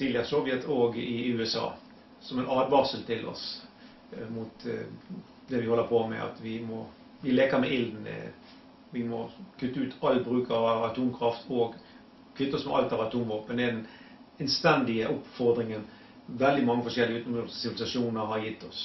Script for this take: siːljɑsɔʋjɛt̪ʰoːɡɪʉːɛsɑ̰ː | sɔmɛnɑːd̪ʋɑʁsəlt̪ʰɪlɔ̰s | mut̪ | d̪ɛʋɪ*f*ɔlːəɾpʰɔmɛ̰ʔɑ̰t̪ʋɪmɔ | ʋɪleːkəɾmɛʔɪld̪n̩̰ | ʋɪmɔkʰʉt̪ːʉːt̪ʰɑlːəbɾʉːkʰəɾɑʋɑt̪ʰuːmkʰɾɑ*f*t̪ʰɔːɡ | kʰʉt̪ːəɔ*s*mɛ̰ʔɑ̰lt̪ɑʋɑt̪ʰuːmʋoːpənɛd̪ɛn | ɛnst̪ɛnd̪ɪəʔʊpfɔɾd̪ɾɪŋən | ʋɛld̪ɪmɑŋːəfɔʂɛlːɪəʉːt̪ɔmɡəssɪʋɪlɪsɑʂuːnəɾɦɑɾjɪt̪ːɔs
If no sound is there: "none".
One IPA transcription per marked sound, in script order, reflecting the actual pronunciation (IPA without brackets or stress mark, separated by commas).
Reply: h, f, s